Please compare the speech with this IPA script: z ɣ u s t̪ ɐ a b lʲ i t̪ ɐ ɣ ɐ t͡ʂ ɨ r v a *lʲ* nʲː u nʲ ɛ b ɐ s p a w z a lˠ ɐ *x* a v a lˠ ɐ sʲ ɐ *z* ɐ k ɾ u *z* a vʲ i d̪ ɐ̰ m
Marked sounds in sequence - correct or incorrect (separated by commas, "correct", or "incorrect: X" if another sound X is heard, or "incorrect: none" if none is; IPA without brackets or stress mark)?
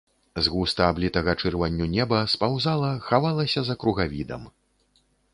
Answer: incorrect: none, correct, correct, incorrect: ɣ